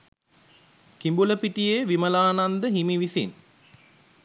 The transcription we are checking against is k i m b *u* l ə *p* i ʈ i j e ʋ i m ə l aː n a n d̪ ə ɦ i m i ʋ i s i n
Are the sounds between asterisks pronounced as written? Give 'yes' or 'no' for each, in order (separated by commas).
yes, yes